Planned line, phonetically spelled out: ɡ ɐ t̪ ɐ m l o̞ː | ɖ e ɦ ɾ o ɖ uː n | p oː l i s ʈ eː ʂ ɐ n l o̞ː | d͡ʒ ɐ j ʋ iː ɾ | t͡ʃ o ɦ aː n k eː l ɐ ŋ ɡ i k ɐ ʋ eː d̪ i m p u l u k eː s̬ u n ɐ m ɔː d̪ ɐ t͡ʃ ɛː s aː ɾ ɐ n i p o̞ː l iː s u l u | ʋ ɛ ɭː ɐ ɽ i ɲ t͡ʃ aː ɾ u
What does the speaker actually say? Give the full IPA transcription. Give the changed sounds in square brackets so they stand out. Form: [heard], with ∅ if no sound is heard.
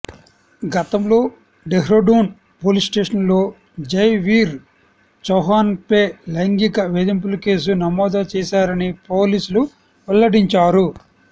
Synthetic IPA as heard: ɡ ɐ t̪ ɐ m l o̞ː | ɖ e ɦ ɾ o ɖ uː n | p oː l i s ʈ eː ʂ ɐ n l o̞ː | d͡ʒ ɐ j ʋ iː ɾ | t͡ʃ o ɦ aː n [p] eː l ɐ ŋ ɡ i k ɐ ʋ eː d̪ i m p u l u k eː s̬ u n ɐ m ɔː d̪ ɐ t͡ʃ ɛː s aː ɾ ɐ n i p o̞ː l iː s u l u | ʋ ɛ [lː] ɐ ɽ i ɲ t͡ʃ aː ɾ u